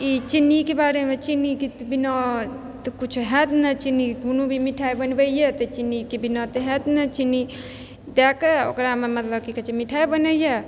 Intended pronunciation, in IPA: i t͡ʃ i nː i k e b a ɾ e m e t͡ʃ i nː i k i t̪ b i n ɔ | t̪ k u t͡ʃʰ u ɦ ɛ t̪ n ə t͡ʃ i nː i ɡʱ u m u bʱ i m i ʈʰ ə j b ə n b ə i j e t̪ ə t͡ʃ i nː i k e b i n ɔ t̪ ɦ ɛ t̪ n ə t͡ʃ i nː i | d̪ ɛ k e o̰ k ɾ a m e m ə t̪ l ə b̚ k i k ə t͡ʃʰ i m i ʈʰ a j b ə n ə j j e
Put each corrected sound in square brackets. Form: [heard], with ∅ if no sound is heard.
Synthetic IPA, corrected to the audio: i t͡ʃ i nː i k e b a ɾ e m e t͡ʃ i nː i k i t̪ b i n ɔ | t̪ k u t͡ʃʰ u ɦ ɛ t̪ n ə t͡ʃ i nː i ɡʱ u [n] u bʱ i m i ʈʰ [a] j b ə n b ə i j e t̪ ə t͡ʃ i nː i k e b i n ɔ t̪ ɦ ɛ t̪ n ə t͡ʃ i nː i | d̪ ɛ k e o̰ k ɾ a m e m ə t̪ l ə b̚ k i k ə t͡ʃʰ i m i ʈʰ a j b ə n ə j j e